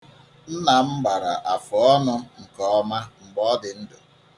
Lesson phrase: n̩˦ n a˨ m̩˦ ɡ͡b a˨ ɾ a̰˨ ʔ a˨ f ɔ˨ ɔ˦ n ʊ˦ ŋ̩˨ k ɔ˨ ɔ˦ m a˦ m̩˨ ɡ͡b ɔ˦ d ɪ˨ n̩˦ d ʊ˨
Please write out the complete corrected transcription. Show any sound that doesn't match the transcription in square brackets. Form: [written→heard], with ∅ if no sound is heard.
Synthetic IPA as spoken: n̩˦ n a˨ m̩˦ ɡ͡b a˨ ɾ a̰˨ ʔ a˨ f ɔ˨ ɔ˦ n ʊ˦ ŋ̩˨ k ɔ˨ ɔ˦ m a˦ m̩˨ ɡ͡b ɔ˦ d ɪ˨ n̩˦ d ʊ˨